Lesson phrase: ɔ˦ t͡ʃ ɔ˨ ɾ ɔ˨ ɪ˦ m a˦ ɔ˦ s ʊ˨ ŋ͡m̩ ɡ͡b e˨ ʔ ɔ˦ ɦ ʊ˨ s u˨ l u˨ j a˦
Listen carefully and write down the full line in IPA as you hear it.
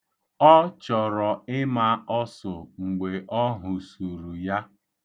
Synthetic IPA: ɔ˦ t͡ʃ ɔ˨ ɾ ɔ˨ ɪ˦ m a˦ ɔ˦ s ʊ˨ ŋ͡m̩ ɡ͡b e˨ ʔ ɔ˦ ɦ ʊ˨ s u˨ ɾ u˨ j a˦